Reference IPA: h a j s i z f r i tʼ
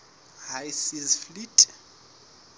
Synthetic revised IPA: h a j s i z f l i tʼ